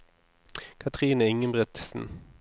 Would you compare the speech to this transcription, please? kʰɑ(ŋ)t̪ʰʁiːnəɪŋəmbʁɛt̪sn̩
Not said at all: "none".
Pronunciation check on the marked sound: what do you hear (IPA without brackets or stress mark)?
none